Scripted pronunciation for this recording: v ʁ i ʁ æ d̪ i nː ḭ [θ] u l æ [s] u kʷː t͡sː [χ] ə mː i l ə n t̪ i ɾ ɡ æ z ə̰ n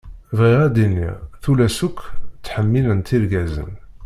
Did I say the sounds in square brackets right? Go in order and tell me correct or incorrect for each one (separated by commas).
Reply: correct, correct, incorrect